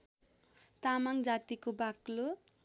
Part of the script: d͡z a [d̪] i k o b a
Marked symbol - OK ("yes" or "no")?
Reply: no